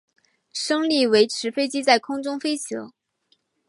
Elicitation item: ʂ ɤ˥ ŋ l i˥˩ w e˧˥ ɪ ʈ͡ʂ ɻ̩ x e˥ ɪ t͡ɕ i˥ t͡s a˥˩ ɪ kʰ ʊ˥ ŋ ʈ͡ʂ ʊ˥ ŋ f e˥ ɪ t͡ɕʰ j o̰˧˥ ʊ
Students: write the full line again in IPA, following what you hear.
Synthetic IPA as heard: ʂ ɤ˥ ŋ l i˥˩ w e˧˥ ɪ ʈ͡ʂʰ ɻ̩ f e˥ ɪ t͡ɕ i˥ t͡s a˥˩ ɪ kʰ ʊ˥ ŋ ʈ͡ʂ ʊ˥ ŋ f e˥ ɪ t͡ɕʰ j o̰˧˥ ʊ